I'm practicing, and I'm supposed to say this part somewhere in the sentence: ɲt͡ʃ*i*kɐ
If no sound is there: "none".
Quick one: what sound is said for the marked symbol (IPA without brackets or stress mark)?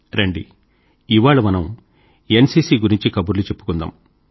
i